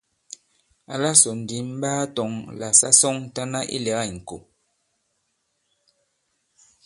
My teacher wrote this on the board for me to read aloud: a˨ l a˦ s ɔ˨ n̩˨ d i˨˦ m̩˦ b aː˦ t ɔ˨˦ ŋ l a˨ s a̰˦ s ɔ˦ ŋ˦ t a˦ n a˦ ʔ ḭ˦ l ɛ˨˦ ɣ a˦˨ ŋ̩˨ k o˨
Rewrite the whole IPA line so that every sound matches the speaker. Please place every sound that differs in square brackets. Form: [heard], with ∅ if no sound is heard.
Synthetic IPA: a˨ l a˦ s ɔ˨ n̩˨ d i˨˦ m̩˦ b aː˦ t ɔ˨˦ ŋ l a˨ s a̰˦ s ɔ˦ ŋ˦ t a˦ n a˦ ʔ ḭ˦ l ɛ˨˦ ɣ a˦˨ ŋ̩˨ k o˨